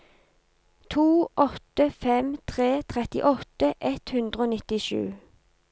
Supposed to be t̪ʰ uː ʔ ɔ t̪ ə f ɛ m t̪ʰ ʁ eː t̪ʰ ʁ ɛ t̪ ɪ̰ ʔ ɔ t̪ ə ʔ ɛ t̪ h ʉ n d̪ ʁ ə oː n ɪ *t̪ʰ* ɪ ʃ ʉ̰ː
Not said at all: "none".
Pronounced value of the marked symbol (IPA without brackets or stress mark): t̪